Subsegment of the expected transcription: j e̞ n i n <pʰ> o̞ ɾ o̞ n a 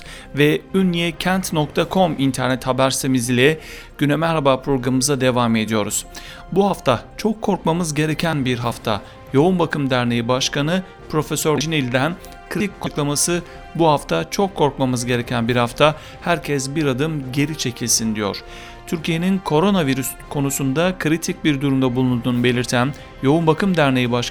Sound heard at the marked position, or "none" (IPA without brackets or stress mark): kʰ